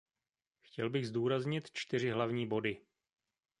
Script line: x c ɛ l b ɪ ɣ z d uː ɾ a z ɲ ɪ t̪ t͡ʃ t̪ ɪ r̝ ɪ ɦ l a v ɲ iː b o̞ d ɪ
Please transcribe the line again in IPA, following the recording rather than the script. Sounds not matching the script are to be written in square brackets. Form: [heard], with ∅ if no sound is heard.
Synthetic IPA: x c ɛ l b ɪ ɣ z d uː ɾ a z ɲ ɪ t̪ t͡ʃ t̪ ɪ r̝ ɪ ɦ l a v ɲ iː b o̞ d ɪ